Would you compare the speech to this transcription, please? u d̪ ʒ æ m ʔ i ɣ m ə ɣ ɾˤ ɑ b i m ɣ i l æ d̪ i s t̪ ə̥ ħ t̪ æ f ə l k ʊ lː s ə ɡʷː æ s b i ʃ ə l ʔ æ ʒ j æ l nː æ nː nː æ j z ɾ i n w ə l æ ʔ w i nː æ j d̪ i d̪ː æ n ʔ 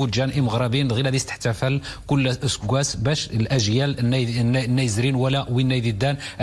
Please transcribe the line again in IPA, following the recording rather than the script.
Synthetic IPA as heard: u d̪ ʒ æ n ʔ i m ə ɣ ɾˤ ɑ b i n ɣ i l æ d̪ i s t̪ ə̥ ħ t̪ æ f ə l k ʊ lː s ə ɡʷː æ s b æ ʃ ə l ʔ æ ʒ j æ l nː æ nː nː æ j z ɾ i n w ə l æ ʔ w i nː æ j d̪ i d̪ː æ n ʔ